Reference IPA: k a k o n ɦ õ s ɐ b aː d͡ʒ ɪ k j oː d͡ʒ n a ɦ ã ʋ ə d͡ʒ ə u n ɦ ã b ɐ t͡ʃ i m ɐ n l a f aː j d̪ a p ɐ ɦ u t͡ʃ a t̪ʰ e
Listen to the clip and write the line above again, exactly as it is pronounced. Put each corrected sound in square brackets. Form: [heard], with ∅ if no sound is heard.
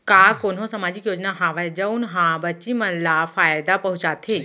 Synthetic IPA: k a k o n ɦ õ s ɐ [m] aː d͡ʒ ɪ k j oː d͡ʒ n a ɦ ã ʋ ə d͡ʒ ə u n ɦ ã b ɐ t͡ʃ i m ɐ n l a f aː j d̪ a p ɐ ɦ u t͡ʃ a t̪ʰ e